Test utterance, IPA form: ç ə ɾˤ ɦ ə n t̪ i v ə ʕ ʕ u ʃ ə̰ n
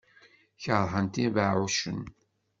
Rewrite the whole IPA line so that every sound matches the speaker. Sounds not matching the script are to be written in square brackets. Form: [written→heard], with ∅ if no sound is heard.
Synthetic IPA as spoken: ç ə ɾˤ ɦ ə n t̪ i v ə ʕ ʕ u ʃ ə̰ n